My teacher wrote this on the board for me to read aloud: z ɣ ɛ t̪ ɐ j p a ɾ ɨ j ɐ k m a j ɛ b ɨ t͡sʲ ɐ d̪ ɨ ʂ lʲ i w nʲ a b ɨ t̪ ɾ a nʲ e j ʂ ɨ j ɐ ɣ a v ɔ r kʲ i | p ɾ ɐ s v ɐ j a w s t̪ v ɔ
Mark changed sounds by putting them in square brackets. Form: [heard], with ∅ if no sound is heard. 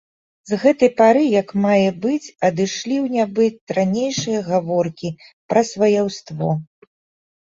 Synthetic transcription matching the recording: z ɣ ɛ t̪ ɐ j p a ɾ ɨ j ɐ k m a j ɛ b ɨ t͡sʲ ɐ d̪ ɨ ʂ lʲ i w nʲ a b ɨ t̪ ɾ a nʲ e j ʂ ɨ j ɐ ɣ a v ɔ r kʲ i | p ɾ ɐ s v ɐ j a w s t̪ v ɔ